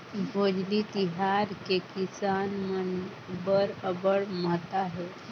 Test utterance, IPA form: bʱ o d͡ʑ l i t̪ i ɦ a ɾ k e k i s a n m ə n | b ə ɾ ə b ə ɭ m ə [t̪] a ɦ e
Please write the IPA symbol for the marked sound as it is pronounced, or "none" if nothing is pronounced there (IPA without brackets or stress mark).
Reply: t̪